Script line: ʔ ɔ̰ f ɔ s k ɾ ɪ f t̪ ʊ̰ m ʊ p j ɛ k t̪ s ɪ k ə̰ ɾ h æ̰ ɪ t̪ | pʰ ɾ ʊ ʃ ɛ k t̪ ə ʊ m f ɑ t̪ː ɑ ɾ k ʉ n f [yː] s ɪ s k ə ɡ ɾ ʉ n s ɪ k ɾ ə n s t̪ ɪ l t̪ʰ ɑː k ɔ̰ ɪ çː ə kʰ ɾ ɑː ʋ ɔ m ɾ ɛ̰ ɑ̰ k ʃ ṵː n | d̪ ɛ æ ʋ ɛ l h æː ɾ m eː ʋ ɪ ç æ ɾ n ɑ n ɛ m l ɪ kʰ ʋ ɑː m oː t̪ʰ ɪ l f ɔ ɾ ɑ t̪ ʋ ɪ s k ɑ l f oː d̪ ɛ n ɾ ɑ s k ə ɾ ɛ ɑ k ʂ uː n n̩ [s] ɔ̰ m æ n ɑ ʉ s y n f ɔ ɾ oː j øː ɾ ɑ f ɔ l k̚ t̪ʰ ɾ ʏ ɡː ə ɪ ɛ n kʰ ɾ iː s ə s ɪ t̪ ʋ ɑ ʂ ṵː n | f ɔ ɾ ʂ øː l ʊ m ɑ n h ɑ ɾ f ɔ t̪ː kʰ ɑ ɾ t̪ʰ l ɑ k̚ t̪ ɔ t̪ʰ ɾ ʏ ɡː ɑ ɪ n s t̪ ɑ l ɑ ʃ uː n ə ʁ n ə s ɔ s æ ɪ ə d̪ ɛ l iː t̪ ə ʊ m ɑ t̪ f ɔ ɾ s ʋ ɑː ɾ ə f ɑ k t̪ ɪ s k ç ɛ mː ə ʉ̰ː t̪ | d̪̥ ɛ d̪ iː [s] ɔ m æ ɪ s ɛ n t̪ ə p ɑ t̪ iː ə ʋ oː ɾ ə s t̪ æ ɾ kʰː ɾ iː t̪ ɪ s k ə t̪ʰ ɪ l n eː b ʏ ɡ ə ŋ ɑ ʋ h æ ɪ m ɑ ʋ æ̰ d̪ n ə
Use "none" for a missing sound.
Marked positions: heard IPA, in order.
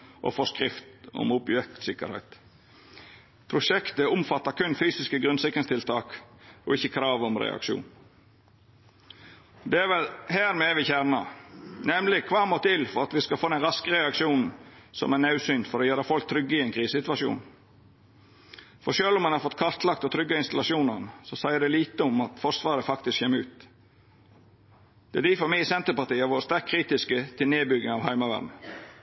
yː, s, f

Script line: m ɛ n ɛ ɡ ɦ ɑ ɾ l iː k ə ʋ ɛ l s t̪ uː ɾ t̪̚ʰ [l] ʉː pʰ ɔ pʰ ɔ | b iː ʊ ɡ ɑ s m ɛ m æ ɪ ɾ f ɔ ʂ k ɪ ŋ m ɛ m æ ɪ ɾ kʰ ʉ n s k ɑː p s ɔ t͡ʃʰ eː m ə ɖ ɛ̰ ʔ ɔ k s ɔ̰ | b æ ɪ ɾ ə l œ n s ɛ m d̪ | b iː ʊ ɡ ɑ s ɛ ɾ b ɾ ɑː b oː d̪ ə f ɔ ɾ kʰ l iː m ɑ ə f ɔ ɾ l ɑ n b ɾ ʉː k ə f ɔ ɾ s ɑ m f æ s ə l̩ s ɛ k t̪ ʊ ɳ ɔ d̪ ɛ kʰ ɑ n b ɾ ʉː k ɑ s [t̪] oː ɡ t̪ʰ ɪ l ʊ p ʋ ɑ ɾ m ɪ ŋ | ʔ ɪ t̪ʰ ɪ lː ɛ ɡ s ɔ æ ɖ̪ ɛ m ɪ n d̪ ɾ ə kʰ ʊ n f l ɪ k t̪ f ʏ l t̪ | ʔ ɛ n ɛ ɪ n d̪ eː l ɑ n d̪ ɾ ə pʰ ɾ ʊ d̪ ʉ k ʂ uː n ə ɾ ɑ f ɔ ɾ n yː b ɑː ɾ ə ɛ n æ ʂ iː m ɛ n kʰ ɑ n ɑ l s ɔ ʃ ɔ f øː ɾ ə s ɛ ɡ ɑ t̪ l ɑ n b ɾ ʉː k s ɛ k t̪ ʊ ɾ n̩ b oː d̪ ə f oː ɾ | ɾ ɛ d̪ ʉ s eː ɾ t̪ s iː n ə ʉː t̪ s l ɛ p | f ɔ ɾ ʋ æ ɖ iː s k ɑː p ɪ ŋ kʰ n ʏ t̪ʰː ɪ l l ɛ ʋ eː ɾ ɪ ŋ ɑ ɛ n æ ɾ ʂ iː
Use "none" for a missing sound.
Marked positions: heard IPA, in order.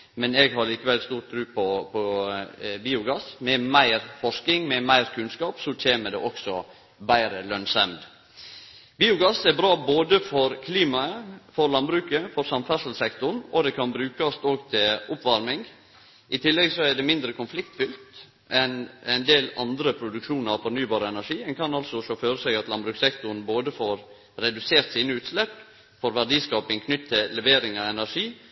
ɾ, t̪

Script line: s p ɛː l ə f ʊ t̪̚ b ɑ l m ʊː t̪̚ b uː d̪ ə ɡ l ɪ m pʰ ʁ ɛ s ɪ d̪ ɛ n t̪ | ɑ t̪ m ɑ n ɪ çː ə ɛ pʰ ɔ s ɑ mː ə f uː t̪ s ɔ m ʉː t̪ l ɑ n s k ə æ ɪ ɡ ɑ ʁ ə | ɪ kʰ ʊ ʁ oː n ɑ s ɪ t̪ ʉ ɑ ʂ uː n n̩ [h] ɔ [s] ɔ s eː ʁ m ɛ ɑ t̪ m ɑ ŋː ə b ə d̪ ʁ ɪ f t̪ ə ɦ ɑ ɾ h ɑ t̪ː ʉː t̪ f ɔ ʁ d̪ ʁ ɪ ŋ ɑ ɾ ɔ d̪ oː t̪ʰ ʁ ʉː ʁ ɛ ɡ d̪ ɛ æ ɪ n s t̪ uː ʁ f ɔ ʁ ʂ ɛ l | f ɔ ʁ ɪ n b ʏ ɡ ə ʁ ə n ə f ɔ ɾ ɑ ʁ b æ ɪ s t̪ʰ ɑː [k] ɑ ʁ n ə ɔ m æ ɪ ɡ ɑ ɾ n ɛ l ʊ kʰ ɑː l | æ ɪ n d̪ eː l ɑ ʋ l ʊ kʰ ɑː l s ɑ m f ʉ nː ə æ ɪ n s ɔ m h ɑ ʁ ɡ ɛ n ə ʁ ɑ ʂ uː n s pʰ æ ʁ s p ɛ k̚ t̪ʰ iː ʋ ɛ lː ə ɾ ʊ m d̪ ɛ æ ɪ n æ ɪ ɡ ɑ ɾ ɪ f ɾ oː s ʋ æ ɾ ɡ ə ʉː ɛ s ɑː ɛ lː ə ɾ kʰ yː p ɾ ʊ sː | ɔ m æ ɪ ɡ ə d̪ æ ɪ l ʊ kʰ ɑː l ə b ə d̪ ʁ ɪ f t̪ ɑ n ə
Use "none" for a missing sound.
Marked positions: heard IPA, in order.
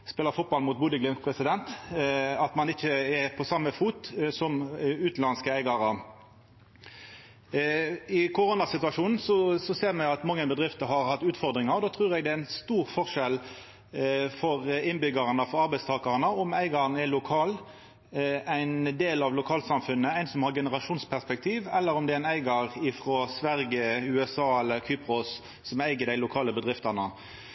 s, s, k

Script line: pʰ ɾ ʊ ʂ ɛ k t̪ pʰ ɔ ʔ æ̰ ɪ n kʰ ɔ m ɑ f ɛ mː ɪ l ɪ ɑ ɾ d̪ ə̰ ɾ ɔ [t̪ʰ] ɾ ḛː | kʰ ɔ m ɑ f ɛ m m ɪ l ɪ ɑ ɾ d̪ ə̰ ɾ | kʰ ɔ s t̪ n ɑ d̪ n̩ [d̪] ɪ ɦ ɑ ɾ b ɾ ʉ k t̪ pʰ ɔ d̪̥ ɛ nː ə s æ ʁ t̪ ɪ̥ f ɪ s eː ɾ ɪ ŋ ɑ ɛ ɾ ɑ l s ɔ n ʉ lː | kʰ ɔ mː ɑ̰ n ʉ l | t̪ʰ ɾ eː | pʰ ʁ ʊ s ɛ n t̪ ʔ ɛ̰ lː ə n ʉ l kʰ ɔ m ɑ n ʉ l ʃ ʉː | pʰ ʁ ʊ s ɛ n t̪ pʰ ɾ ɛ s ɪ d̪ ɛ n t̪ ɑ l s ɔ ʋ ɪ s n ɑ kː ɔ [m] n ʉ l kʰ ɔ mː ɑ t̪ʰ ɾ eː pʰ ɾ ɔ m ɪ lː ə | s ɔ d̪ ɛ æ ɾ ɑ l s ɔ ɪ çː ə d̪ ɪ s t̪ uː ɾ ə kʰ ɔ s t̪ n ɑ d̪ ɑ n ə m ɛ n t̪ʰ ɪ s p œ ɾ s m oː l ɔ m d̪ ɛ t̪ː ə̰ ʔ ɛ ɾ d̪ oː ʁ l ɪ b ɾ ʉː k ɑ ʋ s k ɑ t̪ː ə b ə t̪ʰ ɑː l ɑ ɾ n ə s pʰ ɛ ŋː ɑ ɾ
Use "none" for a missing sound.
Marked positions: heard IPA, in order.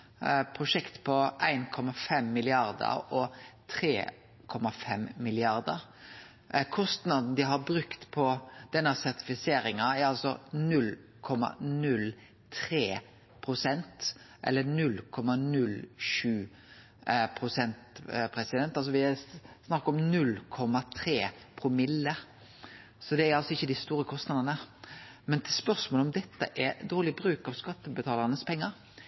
t̪ʰ, d̪, m

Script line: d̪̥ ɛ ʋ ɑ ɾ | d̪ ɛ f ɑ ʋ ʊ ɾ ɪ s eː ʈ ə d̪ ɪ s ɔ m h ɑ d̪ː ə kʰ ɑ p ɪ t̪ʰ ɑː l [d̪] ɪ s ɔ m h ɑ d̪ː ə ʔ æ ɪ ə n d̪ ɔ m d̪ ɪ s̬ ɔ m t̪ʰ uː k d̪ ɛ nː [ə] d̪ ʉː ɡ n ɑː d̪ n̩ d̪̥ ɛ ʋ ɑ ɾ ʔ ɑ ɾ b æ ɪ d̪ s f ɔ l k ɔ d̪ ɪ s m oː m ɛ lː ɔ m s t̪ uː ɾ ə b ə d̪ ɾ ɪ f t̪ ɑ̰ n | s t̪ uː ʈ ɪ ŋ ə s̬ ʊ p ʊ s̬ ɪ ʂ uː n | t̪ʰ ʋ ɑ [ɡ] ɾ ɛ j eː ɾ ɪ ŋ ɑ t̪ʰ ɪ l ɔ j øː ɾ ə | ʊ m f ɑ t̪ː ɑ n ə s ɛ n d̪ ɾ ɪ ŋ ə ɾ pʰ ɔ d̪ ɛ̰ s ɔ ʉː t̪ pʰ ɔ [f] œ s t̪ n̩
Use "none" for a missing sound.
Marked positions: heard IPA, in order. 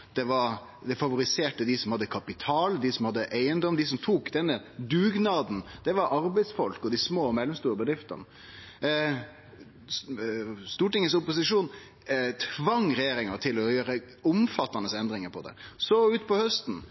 d̪, ə, ŋ, h

